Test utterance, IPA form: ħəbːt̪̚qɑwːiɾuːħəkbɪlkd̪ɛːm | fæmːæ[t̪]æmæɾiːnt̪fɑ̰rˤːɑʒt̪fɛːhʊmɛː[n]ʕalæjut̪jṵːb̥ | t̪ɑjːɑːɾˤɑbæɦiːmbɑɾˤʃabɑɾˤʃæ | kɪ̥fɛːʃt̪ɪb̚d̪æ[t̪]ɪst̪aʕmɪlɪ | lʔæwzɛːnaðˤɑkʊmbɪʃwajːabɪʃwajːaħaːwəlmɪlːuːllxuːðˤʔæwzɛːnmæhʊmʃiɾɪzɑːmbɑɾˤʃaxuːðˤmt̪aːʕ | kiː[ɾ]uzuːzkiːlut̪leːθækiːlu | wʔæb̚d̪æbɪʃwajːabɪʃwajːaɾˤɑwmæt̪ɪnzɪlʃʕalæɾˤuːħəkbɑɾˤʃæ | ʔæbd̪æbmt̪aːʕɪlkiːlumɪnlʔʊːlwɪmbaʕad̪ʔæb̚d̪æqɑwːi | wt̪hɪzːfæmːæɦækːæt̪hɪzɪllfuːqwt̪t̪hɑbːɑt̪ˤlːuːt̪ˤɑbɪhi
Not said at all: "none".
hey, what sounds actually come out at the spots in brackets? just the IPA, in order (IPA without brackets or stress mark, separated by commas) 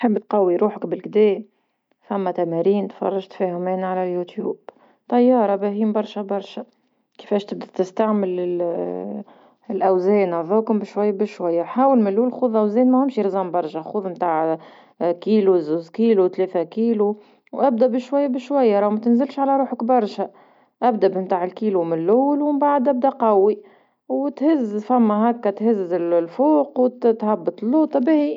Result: t̪, n, t̪, l